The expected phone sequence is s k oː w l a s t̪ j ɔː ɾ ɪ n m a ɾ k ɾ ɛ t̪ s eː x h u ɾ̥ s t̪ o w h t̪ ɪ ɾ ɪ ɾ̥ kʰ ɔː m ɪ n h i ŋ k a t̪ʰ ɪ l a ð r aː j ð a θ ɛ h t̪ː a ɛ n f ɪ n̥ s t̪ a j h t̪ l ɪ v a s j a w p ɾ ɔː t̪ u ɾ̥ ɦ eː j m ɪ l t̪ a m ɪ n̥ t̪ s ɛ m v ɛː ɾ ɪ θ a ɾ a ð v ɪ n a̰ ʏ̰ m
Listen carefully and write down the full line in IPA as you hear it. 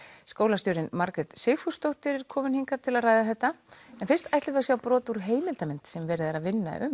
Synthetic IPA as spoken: s k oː w l a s t̪ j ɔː ɾ ɪ n m a ɾ k ɾ ɛ t̪ s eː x f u s t̪ o w h t̪ ɪ ɾ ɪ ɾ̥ kʰ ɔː m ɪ n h i ŋ k a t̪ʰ ɪ l a ð r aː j ð a θ ɛ h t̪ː a ɛ n f ɪ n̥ s t̪ a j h t̪ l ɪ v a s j a w p ɾ ɔː t̪ u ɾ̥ ɦ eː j m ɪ l t̪ a m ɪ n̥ t̪ s ɛ m v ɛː ɾ ɪ ð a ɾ a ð v ɪ nː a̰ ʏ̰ m

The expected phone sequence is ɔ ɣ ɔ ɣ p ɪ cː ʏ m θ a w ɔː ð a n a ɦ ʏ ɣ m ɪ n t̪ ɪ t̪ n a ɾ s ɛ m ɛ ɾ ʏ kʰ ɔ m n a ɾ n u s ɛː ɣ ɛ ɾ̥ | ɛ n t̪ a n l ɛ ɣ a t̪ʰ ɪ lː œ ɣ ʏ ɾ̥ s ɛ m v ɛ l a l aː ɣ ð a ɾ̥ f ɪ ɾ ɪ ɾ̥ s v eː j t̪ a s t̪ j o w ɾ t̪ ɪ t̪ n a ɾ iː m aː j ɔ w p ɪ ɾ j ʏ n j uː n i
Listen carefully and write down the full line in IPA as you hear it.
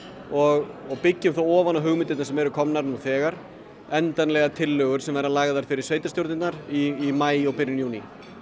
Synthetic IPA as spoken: ɔ ɣ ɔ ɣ p ɪ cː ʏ m θ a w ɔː v a n a ɦ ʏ ɣ m ɪ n t̪ ɪ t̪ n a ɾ s ɛ m ɛ ɾ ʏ kʰ ɔ m n a ɾ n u θ ɛː ɣ a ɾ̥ | ɛ n t̪ a n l ɛ ɣ a t̪ʰ ɪ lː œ ɣ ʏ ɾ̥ s ɛ m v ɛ ɾ a l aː ɣ ð a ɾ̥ f ɪ ɾ ɪ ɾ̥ s v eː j t̪ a s t̪ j o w ɾ t̪ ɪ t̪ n a ɾ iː m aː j ɔ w p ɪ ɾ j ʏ n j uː n i

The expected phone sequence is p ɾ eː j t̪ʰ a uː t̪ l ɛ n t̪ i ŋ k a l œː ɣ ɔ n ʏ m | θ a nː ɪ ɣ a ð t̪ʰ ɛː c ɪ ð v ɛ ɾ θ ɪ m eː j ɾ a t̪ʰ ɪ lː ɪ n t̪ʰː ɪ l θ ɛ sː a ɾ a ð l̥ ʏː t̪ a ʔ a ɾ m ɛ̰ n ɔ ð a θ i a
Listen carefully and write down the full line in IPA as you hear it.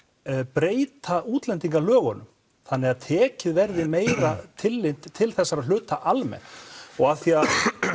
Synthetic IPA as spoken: p ɾ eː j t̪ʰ a uː t̪ l ɛ n t̪ i ŋ k a l œː ɣ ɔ n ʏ m | θ a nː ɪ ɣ a ð t̪ʰ ɛː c ɪ ð v ɛ ɾ ð ɪ m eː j ɾ a t̪ʰ ɪ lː ɪ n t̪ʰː ɪ l θ ɛ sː a ɾ a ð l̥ ʏː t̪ a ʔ a l m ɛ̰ n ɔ ɣ a θ i a

